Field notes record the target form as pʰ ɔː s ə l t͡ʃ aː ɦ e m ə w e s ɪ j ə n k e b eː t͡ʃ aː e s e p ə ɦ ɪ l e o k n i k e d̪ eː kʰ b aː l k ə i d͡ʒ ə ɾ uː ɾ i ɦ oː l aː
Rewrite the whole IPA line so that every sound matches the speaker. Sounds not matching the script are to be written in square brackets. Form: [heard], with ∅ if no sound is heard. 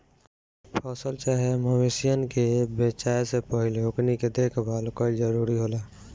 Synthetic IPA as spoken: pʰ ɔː s ə l t͡ʃ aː ɦ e m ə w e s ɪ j ə n k e b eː t͡ʃ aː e s e p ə ɦ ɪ l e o k n i k e d̪ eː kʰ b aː l k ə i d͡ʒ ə ɾ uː ɾ i ɦ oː l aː